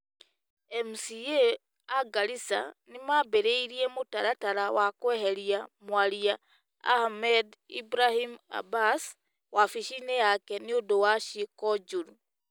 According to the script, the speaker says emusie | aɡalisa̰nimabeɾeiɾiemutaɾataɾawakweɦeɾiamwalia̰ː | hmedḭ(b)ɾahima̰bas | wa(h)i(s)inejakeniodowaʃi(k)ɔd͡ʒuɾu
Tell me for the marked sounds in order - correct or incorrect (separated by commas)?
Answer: correct, incorrect, incorrect, correct